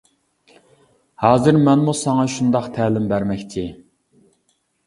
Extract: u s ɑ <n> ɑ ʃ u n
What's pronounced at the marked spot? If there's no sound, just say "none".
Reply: ŋ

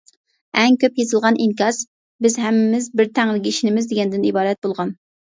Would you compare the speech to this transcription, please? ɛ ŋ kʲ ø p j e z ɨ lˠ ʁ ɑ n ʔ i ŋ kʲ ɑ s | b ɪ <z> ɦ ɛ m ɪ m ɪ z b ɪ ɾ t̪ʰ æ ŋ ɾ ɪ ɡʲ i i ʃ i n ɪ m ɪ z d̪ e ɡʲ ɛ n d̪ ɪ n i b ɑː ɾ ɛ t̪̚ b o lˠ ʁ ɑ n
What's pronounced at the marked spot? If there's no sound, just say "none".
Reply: z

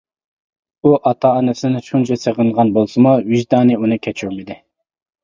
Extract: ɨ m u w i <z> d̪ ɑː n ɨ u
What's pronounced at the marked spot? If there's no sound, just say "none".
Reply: ʒ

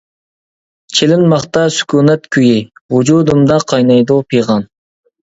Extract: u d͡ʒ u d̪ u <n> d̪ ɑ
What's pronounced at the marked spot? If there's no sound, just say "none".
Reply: m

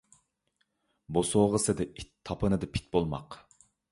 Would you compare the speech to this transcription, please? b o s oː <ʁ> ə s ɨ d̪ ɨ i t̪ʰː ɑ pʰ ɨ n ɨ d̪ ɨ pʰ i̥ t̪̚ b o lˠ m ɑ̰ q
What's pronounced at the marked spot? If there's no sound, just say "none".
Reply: ʁ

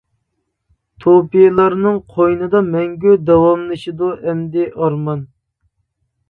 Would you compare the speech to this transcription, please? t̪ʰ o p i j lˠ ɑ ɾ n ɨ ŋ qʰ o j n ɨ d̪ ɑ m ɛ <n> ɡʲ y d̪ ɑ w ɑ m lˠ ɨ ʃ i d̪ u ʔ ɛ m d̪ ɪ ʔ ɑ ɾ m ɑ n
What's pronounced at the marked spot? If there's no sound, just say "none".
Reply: ŋ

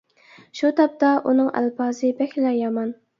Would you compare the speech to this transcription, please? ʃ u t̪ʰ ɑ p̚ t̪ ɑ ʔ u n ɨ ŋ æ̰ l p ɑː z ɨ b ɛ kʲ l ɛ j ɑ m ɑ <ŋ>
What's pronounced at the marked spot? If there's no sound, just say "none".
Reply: n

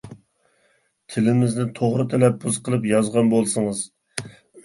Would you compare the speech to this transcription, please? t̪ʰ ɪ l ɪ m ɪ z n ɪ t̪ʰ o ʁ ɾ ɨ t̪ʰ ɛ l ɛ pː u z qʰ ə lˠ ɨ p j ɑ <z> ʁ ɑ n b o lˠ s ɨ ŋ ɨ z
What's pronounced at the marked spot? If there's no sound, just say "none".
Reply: z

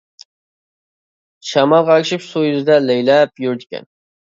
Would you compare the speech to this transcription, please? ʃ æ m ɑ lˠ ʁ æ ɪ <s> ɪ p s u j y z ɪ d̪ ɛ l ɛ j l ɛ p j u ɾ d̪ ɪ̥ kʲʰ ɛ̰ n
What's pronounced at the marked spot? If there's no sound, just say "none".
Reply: ʃ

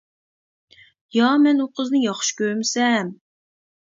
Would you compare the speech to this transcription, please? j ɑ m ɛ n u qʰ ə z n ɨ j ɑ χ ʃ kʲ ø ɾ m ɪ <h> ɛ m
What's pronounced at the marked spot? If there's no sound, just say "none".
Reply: s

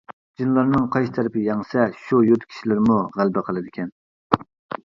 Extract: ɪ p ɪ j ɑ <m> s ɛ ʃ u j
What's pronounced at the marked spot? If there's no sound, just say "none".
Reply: ŋ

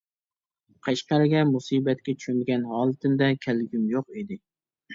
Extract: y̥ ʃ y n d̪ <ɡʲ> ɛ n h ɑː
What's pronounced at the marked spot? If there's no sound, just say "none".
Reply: ɡʲ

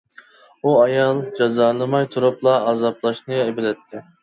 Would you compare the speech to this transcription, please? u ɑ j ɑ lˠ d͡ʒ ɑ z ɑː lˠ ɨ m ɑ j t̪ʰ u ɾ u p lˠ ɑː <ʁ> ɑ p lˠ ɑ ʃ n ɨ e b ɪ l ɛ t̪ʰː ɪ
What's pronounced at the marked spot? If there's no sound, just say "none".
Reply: z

